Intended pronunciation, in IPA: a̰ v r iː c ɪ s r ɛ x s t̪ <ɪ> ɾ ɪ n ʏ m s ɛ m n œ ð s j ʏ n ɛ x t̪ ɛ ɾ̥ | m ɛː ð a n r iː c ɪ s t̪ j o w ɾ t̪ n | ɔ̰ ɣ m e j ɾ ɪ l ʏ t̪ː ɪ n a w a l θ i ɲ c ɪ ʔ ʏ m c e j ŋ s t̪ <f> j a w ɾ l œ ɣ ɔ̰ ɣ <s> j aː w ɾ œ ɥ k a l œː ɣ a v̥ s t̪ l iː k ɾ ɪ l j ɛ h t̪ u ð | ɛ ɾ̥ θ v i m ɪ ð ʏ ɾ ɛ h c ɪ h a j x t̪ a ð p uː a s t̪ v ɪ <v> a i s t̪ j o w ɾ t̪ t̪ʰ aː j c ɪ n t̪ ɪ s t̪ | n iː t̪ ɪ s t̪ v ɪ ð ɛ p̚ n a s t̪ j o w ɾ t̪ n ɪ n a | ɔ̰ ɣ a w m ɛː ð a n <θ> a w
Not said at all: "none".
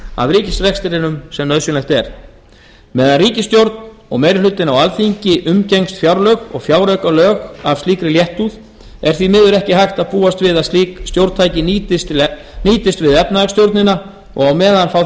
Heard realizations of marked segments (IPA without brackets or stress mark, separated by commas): ɪ, f, f, ð, f